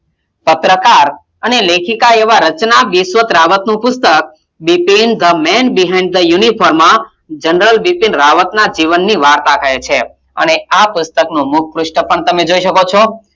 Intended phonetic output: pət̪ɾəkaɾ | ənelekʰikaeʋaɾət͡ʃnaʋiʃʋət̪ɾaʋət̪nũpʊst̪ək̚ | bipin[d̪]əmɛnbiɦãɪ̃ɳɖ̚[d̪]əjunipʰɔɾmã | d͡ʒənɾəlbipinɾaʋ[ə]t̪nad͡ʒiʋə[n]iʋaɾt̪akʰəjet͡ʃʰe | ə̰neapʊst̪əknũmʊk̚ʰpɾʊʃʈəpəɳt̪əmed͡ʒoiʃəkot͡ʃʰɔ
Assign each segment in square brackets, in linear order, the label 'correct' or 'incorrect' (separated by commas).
correct, correct, correct, incorrect